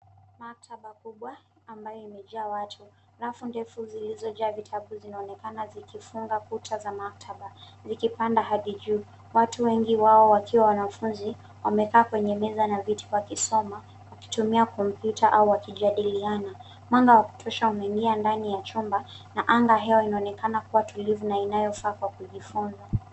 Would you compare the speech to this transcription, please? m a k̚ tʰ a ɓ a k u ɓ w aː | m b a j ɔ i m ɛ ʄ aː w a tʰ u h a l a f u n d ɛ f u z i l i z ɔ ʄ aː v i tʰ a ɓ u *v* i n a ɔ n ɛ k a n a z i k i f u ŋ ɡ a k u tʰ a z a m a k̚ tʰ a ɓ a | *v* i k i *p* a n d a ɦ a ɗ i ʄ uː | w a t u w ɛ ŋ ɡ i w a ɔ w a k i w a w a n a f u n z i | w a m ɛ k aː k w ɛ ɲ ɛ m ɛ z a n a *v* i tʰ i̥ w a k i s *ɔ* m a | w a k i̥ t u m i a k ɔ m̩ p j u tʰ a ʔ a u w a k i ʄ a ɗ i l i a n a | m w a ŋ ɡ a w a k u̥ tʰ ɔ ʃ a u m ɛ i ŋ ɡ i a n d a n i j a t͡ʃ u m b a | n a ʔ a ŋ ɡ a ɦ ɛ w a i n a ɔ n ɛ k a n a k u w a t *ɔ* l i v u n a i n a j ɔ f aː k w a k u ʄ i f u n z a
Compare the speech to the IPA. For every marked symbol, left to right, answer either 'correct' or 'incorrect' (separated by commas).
incorrect, incorrect, correct, correct, correct, incorrect